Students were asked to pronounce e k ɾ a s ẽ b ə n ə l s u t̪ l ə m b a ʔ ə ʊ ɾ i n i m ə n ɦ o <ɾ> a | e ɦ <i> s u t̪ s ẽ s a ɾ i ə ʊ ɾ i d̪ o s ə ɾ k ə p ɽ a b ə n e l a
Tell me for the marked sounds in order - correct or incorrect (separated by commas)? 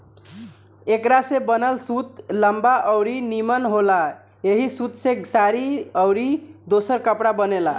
incorrect, correct